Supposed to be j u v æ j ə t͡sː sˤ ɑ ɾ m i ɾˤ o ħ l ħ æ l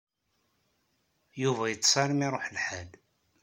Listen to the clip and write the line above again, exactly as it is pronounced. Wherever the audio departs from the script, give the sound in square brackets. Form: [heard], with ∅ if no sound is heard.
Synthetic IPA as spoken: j u v æ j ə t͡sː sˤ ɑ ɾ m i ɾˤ o ħ l ħ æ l